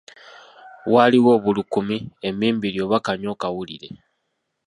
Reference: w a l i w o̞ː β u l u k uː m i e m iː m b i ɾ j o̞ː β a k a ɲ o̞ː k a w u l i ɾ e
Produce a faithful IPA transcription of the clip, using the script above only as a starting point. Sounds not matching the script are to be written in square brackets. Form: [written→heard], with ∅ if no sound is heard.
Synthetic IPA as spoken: w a l i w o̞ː β u l u k [uː→u] m i e m iː m b i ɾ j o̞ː β a k a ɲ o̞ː k a w u l i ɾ e

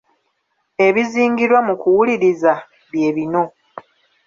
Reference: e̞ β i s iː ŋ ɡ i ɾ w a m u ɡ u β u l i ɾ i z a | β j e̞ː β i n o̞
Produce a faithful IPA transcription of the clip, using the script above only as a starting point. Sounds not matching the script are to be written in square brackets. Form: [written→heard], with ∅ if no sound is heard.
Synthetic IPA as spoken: e̞ β i [s→z] iː ŋ ɡ i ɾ w a m u [ɡ→k] u [β→w] u l i ɾ i z a | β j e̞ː β i n o̞

